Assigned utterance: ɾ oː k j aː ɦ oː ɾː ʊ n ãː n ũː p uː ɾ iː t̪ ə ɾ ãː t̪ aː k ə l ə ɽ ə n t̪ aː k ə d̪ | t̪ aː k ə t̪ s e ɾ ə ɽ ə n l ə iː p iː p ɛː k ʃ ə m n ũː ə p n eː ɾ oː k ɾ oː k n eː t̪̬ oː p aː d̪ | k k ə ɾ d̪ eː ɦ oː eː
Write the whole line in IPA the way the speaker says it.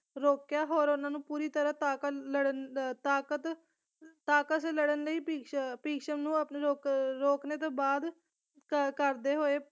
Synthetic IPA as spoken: ɾ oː k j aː ɦ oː ɾ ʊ n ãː n ũː p uː ɾ iː t̪ ə ɾ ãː t̪ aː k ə l ə ɽ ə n t̪ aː k ə t̪ | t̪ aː k ə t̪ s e l ə ɽ ə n l ə iː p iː p iː k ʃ ə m n ũː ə p n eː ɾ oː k ɾ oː k n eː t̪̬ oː b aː d̪ | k k ə ɾ d̪ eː ɦ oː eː